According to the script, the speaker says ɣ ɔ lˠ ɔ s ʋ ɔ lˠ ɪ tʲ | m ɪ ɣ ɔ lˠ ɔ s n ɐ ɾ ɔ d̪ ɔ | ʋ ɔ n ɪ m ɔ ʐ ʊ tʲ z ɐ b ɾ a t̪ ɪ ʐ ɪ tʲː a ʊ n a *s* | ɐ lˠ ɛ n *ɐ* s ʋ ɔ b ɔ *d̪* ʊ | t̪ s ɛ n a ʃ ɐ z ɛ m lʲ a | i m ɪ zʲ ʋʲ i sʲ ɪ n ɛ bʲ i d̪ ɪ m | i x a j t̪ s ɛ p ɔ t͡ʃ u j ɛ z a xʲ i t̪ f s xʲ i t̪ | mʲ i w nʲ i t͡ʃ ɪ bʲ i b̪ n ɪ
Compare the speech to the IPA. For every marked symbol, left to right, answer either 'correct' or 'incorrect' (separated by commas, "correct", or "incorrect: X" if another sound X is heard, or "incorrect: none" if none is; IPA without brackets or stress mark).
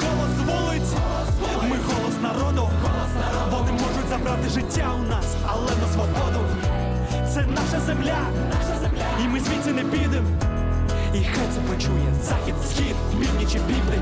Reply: correct, correct, correct